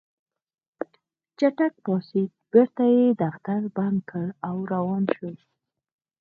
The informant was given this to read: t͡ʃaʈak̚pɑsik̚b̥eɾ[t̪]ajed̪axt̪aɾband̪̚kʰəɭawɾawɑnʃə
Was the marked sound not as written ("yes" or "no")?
no